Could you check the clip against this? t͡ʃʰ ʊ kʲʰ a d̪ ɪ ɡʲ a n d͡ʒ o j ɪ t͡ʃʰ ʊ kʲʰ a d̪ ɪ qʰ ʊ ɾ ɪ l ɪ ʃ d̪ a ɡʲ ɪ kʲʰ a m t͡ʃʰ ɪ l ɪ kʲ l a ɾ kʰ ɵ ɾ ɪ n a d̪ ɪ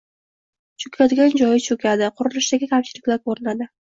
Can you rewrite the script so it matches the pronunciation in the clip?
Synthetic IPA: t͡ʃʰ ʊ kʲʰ a d̪ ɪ ɡʲ a n d͡ʒ ɒ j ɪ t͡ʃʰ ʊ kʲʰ a d̪ ɪ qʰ ʊ ɾ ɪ l ɪ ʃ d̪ a ɡʲ ɪ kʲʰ a m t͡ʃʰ ɪ l ɪ kʲ l a ɾ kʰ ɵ ɾ ɪ n a d̪ ɪ

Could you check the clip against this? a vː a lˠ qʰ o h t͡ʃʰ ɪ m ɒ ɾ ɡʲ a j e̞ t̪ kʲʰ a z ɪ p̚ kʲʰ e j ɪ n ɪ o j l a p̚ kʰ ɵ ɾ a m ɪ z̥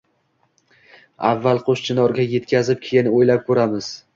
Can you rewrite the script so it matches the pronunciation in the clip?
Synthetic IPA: a vː a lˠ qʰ o ʃ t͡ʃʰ ɪ n ɒ ɾ ɡʲ a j e̞ t̪ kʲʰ a z ɪ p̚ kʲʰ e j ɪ n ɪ o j l a p̚ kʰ ɵ ɾ a m ɪ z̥

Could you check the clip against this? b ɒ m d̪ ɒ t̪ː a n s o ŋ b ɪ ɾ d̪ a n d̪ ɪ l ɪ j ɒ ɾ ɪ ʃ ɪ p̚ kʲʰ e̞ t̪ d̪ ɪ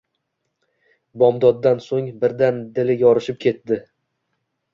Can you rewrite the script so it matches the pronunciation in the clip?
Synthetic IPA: b ɒ m d̪ ɒ d̪ː a n s o ŋ b ɪ ɾ d̪ a n d̪ ɪ l ɪ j ɒ ɾ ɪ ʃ ɪ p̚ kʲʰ e̞ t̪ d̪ ɪ

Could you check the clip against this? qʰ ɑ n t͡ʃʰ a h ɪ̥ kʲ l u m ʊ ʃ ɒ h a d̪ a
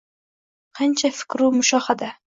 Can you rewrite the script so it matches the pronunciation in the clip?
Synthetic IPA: qʰ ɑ n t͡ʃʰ a f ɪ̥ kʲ ɾ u m ʊ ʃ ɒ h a d̪ a

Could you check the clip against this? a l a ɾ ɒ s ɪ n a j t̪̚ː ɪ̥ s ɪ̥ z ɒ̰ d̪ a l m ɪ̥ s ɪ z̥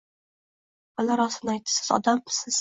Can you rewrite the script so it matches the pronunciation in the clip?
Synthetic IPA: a l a ɾ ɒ s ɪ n a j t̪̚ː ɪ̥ s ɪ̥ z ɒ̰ d̪ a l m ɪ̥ s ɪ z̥

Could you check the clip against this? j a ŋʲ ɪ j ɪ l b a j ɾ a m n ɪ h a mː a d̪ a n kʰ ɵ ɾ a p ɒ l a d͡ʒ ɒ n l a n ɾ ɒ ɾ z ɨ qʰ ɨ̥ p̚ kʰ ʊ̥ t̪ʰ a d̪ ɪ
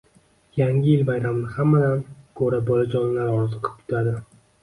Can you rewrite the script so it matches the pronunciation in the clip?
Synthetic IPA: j a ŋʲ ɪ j ɪ l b a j ɾ a m n ɪ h a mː a d̪ a n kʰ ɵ ɾ a b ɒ l a d͡ʒ ɒ n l a ɾ ɒ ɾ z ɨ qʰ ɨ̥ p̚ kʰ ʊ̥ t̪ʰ a d̪ ɪ

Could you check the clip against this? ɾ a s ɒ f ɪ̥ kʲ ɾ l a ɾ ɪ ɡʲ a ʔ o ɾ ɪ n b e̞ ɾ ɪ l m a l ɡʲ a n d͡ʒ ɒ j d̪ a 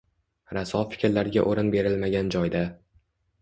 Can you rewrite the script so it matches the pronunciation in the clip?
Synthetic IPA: ɾ a s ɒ f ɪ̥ kʲ ɾ l a ɾ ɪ ɡʲ a ʔ o ɾ ɪ n b e̞ ɾ ɪ l m a ɡʲ a n d͡ʒ ɒ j d̪ a

